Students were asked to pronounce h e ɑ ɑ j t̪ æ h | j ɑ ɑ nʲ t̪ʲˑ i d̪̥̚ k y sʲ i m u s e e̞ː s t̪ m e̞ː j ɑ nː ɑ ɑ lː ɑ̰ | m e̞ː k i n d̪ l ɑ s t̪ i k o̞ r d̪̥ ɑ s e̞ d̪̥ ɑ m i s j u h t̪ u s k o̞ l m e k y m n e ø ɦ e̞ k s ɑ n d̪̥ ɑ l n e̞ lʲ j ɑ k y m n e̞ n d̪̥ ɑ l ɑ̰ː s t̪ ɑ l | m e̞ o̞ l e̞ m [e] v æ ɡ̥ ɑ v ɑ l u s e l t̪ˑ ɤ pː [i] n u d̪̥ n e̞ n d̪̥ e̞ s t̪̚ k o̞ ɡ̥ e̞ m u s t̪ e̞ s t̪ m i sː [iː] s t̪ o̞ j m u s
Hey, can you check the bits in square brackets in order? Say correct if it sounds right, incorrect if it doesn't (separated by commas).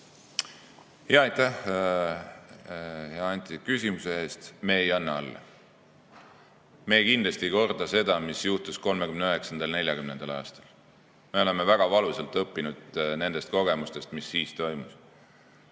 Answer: correct, correct, correct